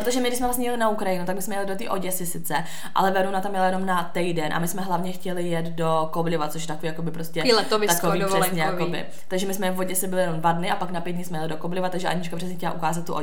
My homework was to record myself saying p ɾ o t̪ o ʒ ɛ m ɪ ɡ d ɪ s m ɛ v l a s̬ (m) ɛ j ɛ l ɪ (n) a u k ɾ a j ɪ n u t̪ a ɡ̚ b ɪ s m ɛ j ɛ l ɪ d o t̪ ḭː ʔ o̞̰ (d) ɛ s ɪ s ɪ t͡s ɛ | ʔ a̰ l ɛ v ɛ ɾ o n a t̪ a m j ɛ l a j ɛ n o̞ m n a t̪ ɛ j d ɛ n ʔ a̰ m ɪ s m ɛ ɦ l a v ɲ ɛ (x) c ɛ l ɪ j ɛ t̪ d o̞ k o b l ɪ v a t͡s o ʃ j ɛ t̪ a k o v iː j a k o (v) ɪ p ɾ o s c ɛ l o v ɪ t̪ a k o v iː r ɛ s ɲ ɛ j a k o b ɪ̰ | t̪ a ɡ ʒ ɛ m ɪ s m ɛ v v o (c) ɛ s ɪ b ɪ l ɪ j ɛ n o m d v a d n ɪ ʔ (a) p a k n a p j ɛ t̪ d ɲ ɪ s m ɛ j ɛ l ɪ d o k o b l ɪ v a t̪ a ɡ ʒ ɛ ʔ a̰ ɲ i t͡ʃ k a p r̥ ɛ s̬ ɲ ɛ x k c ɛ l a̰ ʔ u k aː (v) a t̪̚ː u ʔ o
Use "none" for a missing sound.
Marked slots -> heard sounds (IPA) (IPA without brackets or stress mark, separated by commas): ɲ, n, ɟ, x, b, ɟ, a, z